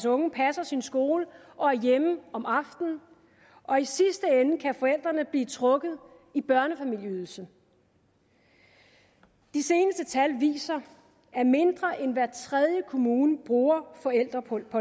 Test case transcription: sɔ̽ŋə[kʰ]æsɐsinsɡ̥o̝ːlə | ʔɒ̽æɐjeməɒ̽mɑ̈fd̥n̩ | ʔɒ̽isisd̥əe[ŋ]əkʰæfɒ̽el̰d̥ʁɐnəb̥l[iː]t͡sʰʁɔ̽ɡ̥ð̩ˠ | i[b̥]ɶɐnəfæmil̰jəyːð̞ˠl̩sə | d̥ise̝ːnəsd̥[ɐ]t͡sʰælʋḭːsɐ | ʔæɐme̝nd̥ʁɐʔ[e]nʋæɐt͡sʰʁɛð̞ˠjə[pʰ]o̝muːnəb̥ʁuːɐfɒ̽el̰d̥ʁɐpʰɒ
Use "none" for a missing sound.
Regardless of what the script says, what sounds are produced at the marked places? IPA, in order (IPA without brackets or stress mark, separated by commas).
pʰ, n, iː, b̥, ə, e, kʰ